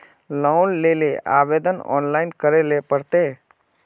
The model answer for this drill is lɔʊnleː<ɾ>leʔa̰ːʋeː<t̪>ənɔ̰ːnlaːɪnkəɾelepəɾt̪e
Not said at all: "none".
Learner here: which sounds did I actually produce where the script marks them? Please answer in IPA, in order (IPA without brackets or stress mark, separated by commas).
none, d̪